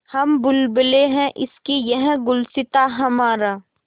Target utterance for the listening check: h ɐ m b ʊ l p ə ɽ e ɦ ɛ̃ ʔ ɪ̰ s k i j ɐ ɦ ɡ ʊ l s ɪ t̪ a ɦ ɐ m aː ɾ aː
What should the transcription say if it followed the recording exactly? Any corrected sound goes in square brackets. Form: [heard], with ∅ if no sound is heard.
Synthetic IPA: h ɐ m b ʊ l [b] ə [l] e ɦ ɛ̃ ʔ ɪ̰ s k i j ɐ ɦ ɡ ʊ l s ɪ t̪ a ɦ ɐ m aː ɾ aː